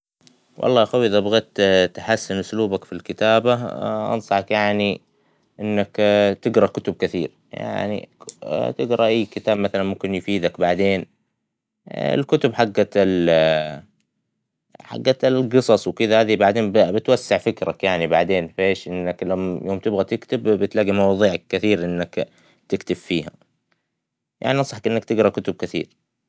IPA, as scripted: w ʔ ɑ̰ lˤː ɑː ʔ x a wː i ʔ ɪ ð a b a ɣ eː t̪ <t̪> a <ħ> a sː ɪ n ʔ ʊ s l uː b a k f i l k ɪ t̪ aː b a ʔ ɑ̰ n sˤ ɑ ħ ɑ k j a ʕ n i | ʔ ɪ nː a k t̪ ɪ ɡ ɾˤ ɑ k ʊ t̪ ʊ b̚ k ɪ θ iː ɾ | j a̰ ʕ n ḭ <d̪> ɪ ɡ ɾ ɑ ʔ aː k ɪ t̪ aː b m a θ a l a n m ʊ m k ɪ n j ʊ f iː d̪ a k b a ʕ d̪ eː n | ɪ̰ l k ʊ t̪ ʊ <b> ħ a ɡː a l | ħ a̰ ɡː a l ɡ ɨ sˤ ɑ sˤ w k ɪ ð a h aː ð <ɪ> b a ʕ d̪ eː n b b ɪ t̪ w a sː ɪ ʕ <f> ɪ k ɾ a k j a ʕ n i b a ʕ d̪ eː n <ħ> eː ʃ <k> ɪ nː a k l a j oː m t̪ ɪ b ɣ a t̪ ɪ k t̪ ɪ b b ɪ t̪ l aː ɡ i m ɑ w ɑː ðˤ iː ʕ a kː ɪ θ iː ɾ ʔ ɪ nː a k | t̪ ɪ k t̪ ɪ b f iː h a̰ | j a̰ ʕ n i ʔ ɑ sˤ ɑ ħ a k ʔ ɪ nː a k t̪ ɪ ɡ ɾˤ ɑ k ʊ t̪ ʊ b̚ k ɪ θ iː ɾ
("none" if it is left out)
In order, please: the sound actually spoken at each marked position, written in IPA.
t̪, ħ, t̪, b, i, f, f, ʔ

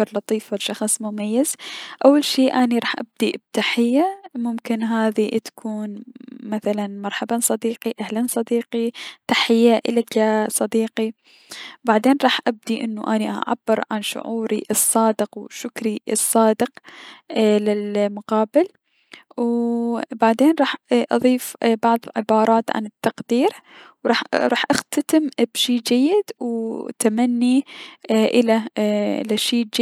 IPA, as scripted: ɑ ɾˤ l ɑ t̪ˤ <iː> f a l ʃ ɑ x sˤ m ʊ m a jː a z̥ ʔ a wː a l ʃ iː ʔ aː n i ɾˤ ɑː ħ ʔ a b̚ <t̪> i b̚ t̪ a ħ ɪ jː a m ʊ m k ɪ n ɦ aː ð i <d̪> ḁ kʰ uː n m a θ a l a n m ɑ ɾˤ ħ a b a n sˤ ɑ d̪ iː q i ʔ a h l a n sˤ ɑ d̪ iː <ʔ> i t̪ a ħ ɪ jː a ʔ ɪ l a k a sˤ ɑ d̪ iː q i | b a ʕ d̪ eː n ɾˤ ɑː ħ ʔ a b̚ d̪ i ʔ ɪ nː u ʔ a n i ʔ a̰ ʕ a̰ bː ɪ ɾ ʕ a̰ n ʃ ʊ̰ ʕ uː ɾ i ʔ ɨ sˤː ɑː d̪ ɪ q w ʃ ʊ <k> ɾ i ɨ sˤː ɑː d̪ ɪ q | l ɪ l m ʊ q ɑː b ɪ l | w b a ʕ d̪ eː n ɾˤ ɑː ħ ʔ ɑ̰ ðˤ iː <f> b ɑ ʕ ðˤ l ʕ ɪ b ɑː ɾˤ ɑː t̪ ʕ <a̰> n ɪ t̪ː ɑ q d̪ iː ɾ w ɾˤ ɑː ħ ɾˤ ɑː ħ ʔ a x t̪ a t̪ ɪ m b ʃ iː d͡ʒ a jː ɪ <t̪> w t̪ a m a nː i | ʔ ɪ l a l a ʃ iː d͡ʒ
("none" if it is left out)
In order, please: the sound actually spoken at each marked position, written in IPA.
iː, d̪, t̪, q, k, f, a̰, d̪

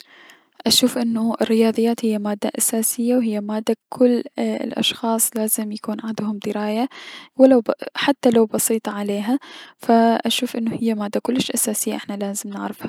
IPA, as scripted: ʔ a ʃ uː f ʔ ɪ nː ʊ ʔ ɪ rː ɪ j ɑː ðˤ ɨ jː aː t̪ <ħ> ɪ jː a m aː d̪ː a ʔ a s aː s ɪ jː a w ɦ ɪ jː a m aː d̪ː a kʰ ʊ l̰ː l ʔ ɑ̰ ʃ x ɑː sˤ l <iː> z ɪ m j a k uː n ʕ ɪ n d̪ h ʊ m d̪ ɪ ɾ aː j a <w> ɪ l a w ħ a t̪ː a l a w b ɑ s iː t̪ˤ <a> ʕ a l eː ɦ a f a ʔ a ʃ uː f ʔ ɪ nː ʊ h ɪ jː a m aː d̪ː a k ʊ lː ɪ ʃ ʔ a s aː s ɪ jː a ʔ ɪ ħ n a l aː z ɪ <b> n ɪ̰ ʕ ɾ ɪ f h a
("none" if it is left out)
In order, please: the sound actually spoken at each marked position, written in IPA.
h, aː, w, ɑ, m

